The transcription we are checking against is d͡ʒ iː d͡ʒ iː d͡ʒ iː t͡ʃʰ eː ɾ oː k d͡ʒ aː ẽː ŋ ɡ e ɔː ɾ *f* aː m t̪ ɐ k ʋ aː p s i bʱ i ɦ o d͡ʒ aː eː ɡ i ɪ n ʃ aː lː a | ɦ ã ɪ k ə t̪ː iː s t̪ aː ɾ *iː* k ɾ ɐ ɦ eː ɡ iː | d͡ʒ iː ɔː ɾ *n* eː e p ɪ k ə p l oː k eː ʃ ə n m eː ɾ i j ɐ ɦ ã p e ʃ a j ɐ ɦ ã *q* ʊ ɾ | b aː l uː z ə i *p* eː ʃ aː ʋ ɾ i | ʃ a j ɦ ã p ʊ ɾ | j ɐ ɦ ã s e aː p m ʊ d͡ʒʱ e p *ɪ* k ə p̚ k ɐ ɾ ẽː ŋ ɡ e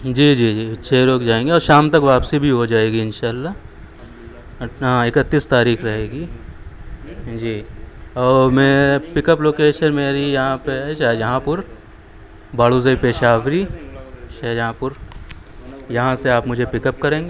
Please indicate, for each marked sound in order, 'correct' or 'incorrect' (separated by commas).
incorrect, correct, incorrect, incorrect, correct, correct